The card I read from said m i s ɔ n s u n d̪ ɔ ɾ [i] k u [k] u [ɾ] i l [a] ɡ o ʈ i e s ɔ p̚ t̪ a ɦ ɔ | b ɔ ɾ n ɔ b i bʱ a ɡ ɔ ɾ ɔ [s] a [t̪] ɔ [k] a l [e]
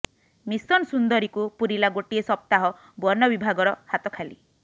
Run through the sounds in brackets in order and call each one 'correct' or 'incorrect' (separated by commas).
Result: correct, incorrect, correct, correct, incorrect, correct, incorrect, incorrect